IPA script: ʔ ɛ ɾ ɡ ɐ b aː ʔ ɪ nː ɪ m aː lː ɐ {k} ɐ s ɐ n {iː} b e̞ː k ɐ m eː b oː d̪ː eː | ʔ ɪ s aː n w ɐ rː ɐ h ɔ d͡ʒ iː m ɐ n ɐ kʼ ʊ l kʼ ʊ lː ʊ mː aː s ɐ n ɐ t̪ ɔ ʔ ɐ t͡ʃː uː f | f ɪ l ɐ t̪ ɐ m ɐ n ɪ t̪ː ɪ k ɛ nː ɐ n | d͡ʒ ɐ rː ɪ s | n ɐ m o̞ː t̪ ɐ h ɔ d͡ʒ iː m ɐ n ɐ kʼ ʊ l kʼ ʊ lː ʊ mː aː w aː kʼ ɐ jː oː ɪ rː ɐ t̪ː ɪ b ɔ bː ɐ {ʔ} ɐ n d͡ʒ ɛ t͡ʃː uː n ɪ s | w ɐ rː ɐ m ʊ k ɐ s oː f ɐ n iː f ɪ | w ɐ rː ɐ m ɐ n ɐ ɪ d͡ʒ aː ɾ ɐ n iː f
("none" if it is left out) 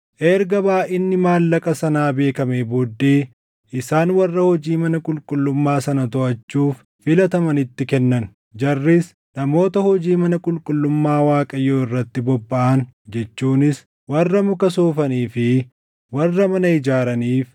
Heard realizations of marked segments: kʼ, aː, ʔ

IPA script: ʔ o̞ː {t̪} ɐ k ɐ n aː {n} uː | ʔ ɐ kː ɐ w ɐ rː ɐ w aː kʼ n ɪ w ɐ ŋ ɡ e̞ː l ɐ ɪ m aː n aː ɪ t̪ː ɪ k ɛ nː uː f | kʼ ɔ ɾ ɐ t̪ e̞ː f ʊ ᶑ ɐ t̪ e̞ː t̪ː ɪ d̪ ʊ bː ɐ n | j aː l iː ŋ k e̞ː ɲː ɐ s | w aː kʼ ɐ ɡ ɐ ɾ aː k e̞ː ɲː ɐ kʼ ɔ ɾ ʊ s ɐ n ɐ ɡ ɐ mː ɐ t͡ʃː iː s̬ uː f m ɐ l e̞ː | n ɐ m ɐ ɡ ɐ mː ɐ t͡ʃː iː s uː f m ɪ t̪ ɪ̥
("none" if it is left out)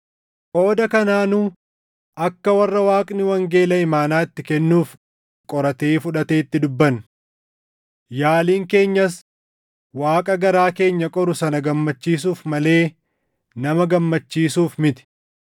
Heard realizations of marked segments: d̪, n

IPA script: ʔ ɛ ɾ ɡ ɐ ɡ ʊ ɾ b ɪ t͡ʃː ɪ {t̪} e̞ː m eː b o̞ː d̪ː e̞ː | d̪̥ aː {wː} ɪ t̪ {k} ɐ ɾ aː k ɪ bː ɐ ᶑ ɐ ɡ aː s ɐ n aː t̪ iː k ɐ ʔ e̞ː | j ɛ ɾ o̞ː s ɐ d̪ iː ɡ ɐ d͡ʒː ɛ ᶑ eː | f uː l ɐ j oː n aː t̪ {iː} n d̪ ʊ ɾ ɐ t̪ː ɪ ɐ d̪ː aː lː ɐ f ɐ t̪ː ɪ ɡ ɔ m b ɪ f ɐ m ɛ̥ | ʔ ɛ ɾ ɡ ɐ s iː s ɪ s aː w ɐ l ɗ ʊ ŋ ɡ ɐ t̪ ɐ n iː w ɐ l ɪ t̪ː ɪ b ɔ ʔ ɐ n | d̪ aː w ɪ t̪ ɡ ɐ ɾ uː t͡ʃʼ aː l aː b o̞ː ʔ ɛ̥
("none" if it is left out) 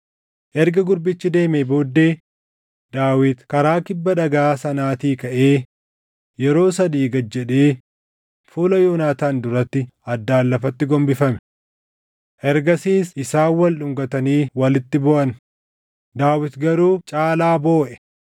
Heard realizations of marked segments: d̪, w, k, aː

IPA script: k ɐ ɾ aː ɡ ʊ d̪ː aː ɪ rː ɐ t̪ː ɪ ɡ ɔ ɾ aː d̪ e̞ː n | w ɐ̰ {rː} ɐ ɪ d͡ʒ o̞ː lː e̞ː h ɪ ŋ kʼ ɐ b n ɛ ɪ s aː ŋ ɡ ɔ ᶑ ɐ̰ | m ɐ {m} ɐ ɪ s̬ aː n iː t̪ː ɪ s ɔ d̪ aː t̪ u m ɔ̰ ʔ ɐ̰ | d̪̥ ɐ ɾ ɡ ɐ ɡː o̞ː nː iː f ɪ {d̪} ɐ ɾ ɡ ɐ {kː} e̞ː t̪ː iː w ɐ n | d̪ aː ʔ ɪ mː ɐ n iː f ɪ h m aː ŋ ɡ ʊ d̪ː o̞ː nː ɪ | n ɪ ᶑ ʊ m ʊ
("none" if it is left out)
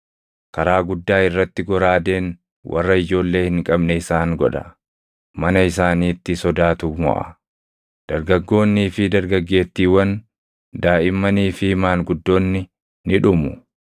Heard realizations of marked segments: rː, n, d̪, ɡː

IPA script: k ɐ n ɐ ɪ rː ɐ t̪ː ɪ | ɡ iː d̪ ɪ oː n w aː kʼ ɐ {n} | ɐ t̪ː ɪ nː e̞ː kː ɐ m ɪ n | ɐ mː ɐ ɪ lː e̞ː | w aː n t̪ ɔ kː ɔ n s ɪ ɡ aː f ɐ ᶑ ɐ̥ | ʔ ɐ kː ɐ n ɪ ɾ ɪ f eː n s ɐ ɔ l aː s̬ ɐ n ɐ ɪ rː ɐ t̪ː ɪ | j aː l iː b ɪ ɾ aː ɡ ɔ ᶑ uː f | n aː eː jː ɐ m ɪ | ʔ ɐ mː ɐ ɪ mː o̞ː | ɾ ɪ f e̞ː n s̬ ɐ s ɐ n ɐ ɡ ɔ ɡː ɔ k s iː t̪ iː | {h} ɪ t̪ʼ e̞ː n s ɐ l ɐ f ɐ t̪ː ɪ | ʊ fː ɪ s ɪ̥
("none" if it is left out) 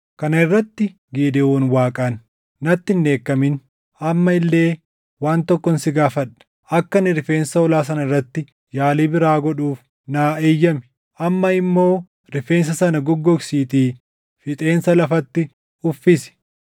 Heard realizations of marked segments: nː, f

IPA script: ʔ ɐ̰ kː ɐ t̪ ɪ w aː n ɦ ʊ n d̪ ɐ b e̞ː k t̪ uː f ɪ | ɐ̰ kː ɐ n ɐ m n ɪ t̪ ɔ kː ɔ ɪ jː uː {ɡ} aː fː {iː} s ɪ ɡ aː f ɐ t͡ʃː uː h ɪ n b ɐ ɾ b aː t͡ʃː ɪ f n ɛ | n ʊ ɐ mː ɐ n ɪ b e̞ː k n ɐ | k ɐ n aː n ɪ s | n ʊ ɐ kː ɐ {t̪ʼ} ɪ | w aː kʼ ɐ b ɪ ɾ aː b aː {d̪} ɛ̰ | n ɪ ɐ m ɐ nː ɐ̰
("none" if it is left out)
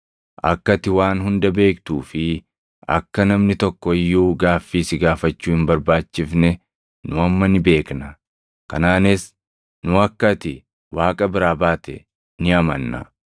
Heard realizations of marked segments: ɡ, iː, t̪, t̪

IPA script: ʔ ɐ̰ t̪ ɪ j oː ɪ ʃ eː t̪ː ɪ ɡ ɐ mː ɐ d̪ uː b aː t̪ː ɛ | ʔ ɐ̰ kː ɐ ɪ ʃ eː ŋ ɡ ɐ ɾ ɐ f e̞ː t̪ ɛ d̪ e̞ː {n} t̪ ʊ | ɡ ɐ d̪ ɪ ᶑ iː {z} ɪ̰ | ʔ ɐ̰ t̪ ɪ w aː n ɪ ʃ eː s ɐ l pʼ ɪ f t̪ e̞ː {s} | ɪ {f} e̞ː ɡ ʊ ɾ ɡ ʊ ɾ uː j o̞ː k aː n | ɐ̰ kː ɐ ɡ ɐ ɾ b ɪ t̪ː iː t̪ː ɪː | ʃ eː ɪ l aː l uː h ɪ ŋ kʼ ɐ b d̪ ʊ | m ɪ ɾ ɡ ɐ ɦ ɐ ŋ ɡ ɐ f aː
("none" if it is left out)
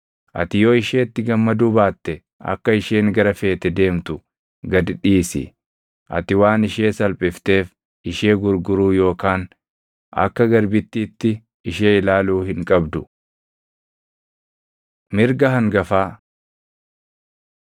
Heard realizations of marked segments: m, s, f, ʃ

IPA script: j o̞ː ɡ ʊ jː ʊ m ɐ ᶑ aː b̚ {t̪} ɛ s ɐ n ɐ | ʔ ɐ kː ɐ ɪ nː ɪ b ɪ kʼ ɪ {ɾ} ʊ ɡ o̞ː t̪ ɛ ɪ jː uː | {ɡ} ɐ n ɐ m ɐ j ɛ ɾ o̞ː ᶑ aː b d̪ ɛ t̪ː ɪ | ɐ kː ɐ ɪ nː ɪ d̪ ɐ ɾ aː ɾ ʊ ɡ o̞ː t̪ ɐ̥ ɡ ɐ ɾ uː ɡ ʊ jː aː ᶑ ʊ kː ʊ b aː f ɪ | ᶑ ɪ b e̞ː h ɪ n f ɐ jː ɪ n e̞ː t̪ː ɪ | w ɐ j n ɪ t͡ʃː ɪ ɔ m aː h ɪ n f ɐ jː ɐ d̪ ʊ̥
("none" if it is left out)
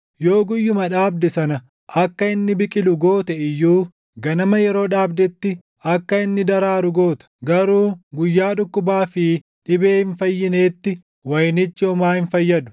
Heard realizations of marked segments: d̪, l, ɡ

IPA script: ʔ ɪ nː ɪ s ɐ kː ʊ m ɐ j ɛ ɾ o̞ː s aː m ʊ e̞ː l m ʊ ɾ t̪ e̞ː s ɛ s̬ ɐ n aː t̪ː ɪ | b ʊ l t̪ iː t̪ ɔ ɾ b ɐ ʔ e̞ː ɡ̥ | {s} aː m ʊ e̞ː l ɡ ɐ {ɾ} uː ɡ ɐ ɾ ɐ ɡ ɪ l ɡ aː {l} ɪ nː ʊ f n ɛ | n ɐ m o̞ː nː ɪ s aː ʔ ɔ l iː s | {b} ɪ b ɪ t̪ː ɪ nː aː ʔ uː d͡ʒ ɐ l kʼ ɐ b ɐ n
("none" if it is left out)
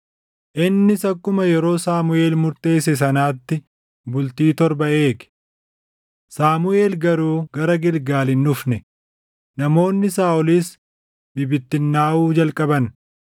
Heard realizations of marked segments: s, ɾ, l, b

